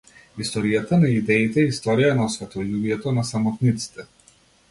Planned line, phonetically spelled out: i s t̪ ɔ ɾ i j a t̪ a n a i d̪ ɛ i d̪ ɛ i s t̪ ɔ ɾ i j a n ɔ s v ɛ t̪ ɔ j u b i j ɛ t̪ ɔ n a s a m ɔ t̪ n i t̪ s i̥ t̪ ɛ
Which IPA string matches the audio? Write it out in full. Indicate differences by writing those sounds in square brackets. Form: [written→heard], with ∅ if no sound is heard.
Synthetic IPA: i s t̪ ɔ ɾ i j a t̪ a n a i d̪ ɛ i [d̪→t̪] ɛ i s t̪ ɔ ɾ i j a n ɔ s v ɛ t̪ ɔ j u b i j ɛ t̪ ɔ n a s a m ɔ t̪ n i t̪ s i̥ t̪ ɛ